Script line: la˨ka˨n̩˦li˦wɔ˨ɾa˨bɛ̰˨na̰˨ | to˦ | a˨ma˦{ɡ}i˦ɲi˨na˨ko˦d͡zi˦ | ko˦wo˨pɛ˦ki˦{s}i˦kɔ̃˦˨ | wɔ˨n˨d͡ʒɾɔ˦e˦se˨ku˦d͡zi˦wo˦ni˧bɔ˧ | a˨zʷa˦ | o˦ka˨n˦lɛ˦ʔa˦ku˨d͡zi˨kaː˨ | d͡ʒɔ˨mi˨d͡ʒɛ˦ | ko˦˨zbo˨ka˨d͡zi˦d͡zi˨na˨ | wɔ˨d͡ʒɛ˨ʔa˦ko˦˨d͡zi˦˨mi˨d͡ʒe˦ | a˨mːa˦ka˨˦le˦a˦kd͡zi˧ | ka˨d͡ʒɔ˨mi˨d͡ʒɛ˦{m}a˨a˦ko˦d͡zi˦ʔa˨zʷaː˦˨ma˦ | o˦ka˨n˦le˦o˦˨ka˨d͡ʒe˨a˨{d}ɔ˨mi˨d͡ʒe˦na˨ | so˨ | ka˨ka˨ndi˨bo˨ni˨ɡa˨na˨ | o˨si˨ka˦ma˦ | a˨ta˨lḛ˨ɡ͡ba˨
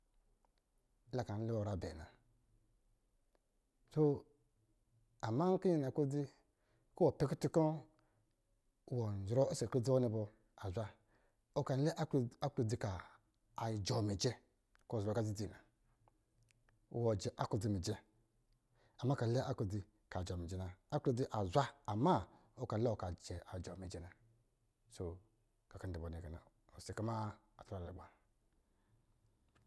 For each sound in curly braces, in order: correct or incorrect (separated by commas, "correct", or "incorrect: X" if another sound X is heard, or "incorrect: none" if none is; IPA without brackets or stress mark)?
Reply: incorrect: k, incorrect: t, incorrect: n, incorrect: d͡ʒ